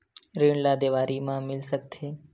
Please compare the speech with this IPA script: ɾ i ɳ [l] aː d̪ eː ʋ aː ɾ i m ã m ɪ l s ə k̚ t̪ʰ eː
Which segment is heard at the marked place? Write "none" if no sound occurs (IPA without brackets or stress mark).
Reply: l